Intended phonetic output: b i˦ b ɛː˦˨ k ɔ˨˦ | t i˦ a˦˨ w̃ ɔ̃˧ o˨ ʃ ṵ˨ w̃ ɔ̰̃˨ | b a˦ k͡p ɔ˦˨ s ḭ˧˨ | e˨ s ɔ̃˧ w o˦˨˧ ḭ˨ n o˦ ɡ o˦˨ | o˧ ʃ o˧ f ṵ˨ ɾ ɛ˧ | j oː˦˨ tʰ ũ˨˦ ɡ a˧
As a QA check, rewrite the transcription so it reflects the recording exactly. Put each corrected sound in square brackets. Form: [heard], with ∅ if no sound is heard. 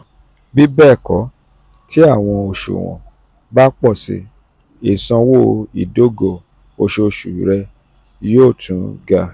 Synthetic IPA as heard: b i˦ b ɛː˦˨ k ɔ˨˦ | t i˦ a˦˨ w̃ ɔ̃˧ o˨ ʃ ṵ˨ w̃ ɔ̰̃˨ | b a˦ k͡p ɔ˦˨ s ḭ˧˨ | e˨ s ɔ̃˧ w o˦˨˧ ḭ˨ [d] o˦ ɡ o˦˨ | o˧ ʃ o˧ [ʃ] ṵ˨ ɾ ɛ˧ | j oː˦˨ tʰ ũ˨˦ ɡ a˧